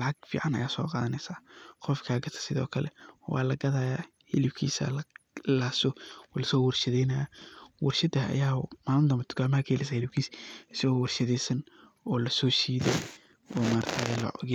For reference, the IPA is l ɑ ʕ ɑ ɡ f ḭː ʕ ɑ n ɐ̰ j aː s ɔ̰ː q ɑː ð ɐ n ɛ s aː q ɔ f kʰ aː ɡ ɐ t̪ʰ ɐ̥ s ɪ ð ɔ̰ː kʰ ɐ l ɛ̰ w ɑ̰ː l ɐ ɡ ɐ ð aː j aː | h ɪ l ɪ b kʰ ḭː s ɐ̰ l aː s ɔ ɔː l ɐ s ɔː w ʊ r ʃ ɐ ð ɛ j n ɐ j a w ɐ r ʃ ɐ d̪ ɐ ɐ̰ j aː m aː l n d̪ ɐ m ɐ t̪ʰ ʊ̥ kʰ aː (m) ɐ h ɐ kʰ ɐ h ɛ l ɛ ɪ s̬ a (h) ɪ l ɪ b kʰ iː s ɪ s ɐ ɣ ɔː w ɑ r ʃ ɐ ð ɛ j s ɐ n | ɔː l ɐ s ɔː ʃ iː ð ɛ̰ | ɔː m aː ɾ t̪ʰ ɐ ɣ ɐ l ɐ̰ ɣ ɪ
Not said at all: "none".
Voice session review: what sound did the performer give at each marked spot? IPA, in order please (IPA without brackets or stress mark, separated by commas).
m, h